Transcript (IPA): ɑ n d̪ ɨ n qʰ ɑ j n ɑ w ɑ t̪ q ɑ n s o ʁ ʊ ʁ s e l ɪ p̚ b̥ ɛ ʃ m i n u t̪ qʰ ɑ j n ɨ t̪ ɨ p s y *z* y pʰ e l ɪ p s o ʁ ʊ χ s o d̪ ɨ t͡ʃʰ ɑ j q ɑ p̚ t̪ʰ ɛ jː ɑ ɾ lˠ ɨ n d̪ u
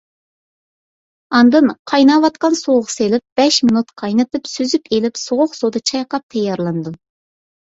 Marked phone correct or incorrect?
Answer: correct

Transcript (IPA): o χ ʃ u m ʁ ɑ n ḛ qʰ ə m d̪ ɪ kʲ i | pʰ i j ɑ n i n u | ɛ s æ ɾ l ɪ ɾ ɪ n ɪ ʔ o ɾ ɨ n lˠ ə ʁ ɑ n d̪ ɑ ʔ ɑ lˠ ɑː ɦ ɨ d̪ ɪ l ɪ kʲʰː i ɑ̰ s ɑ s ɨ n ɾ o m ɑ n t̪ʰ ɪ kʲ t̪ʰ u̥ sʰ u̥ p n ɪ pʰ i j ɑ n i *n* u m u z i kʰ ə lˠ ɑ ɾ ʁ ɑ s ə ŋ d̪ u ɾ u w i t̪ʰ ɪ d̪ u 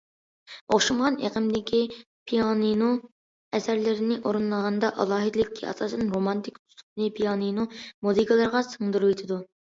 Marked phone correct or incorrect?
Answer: correct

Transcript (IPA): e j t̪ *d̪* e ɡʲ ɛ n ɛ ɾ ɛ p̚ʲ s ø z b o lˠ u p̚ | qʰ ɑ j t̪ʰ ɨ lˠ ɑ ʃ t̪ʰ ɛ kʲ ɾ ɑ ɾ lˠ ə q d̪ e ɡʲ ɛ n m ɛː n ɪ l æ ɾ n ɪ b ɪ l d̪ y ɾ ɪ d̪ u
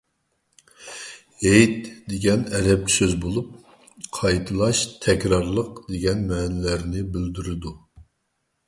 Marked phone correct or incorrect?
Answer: correct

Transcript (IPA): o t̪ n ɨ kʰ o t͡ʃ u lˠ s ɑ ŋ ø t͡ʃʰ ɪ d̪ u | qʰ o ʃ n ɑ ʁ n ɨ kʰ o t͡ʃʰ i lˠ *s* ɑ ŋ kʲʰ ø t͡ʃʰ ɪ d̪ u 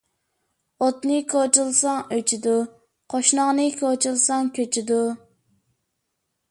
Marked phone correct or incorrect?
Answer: correct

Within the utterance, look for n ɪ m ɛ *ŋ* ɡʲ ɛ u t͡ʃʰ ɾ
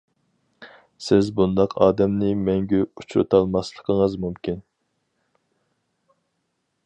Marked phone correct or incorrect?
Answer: correct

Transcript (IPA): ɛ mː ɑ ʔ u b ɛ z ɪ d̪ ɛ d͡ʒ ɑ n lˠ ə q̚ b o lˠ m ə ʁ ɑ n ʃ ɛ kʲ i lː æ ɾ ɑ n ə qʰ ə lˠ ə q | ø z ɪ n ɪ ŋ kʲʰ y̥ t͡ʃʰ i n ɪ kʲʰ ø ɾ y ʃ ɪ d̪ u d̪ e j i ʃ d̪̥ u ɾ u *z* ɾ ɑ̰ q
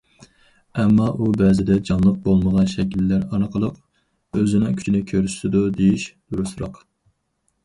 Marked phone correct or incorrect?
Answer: incorrect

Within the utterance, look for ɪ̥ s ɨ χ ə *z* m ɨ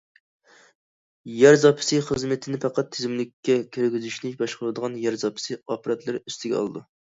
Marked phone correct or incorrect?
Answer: correct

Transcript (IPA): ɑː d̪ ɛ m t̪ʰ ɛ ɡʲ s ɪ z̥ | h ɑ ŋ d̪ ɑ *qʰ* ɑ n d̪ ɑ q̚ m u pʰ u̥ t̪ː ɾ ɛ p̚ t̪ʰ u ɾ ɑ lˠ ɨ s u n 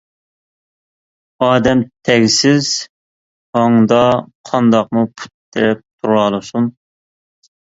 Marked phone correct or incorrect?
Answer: correct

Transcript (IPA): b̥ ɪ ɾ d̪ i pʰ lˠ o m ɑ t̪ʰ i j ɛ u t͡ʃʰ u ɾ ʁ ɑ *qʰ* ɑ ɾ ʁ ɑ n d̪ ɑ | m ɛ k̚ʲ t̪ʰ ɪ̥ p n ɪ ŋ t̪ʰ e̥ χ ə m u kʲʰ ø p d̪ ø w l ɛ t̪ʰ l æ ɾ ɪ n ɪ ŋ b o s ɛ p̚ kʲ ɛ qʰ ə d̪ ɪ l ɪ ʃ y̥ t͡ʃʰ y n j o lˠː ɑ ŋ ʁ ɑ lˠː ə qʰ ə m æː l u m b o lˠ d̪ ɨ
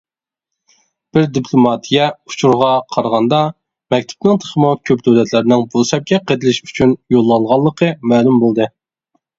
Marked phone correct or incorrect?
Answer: correct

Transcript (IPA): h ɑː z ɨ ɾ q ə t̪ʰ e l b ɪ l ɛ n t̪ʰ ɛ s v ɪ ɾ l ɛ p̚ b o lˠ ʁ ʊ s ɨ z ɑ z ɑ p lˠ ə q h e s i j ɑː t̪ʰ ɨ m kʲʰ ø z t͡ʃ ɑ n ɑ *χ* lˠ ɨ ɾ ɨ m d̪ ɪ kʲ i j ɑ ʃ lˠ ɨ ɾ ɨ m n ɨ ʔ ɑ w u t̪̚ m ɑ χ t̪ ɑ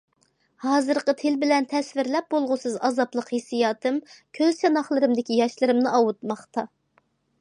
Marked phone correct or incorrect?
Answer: correct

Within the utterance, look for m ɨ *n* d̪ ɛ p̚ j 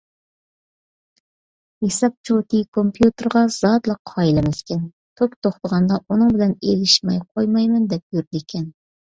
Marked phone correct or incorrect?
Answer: correct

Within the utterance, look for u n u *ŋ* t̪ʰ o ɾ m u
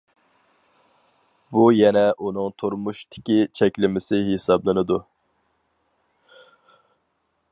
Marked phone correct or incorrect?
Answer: correct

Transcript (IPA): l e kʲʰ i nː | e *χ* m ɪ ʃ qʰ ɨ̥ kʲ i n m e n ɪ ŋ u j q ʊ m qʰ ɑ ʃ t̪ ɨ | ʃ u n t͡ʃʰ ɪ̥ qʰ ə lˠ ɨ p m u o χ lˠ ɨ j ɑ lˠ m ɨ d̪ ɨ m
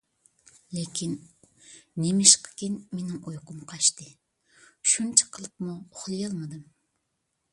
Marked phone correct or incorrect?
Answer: incorrect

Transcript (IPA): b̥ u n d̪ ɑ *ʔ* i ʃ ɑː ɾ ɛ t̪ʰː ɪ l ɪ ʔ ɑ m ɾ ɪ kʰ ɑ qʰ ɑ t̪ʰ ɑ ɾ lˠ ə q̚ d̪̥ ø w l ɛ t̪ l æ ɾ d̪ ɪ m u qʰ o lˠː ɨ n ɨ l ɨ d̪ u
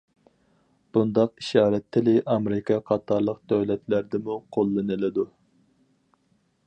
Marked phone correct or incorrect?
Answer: incorrect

